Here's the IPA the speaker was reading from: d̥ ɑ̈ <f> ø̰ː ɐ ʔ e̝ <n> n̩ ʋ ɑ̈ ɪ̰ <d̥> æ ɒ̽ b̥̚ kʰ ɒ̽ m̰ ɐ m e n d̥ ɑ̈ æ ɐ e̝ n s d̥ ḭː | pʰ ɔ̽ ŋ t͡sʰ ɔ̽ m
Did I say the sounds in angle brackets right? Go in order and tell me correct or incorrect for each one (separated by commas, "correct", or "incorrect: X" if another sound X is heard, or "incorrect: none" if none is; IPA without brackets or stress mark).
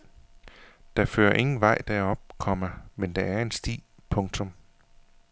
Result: correct, incorrect: ŋ, correct